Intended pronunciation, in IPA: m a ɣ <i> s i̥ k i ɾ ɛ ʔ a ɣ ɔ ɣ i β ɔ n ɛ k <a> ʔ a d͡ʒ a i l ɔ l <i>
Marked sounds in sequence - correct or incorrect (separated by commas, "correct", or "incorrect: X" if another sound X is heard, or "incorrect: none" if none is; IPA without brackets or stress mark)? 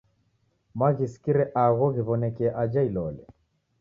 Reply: correct, incorrect: ɛ, incorrect: ɛ